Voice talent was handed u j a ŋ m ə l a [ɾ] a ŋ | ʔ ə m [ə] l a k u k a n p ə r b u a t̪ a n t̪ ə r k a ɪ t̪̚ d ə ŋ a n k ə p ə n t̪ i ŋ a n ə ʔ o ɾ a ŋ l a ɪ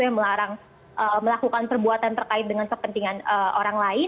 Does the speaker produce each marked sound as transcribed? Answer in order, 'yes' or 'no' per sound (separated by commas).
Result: yes, yes